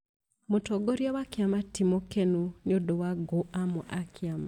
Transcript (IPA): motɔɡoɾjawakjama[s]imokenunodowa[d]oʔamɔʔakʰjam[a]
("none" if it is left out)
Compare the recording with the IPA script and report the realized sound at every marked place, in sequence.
t, ɡ, a

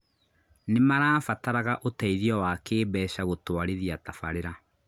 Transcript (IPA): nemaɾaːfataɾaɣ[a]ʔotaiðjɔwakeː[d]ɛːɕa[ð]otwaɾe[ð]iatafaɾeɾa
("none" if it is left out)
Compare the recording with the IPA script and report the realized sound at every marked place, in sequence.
a, b, ɣ, ð

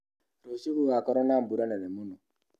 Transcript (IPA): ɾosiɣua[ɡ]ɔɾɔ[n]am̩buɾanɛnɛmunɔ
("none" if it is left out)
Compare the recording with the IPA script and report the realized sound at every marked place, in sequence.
k, n

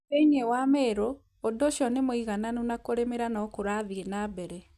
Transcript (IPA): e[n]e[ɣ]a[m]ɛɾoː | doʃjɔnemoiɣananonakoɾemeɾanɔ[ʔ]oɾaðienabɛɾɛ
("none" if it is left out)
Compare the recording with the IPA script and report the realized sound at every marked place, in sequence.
ɲ, w, m, k

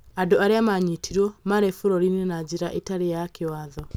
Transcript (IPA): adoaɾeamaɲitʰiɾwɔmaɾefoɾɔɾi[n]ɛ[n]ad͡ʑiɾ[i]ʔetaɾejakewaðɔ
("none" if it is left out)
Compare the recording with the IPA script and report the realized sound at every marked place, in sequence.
n, n, a

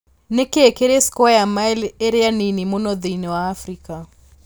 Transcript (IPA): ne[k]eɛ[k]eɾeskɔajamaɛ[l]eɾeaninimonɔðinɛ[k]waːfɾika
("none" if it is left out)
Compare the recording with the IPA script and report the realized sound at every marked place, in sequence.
k, k, l, none

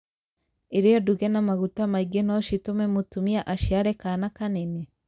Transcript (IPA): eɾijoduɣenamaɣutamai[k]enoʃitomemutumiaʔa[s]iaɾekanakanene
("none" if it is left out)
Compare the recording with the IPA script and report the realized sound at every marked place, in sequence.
ɡ, ʃ

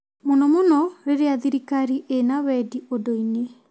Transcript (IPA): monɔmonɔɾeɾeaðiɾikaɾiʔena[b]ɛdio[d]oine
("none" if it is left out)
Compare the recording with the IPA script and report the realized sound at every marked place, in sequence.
w, d

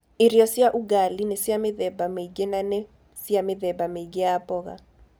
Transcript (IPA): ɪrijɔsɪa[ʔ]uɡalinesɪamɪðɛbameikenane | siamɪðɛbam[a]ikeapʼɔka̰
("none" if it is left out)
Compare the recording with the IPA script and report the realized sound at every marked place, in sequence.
ʔ, e

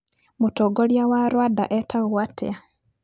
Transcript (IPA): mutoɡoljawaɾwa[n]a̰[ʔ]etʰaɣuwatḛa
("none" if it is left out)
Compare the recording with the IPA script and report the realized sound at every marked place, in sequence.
d, ʔ

